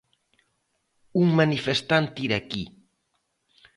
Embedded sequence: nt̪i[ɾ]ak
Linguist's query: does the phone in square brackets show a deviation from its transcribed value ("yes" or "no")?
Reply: no